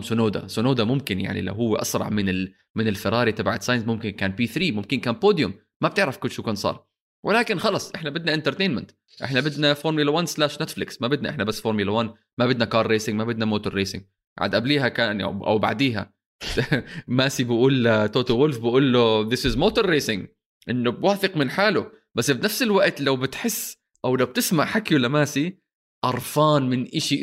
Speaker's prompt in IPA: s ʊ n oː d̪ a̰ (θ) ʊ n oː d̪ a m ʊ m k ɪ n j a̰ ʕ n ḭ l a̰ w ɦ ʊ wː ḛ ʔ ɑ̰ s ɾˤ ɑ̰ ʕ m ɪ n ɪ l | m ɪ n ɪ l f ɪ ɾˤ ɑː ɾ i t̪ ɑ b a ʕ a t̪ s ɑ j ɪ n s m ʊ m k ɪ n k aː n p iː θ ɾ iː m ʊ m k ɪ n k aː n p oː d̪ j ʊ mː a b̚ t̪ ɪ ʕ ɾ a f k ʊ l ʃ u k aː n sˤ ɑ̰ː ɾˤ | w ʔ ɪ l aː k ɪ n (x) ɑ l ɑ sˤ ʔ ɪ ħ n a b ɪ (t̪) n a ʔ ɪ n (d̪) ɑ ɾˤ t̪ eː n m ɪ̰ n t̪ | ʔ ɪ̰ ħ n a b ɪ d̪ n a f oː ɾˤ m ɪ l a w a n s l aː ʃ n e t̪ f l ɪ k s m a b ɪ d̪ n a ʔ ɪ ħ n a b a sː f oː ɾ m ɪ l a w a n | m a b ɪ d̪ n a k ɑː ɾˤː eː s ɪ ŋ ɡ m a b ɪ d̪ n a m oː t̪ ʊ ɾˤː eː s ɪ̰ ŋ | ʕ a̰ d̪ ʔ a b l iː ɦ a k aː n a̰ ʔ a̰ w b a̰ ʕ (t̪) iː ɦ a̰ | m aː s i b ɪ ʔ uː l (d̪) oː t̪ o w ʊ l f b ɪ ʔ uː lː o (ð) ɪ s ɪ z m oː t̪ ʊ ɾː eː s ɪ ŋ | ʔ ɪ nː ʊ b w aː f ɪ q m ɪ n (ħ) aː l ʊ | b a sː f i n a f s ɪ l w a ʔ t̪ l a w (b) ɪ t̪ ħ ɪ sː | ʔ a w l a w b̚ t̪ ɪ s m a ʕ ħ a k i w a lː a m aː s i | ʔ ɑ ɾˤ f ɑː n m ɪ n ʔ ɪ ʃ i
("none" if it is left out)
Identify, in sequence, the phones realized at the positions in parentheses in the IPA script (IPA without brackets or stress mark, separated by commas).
s, x, d̪, t̪, d̪, t̪, ð, ħ, b